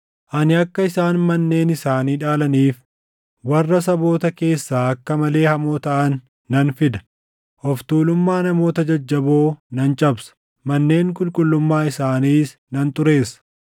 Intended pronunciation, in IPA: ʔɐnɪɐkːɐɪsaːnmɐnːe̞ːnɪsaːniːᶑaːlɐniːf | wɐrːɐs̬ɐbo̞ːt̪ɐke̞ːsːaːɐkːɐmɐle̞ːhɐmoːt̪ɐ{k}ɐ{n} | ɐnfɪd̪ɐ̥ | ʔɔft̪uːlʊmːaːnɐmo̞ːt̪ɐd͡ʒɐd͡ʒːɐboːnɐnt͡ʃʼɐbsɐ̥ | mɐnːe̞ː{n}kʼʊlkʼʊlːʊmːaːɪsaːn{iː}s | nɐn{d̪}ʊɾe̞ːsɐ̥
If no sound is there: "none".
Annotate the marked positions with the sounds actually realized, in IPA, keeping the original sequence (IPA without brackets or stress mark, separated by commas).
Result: ʔ, nː, ŋ, iː, t̪